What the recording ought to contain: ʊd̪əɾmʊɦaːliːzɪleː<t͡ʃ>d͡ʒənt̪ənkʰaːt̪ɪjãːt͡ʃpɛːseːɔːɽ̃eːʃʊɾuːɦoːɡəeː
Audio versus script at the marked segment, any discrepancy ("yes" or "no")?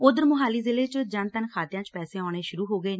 no